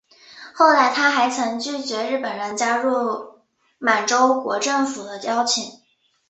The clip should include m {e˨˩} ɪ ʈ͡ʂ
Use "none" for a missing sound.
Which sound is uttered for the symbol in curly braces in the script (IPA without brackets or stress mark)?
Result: a˨˩